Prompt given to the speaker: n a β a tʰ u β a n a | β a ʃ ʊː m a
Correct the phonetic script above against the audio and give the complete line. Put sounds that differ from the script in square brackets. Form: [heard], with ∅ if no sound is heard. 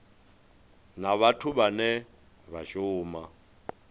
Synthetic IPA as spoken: n a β a tʰ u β a n [ɛ] | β a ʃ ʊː m a